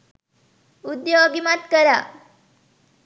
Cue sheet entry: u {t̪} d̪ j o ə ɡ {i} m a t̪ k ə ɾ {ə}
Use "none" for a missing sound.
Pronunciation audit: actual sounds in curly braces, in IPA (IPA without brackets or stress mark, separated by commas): none, i, a